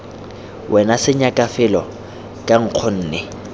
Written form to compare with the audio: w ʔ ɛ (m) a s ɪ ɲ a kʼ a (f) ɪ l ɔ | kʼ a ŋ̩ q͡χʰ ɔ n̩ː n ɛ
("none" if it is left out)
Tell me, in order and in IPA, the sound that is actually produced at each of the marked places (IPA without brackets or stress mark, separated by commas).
n, f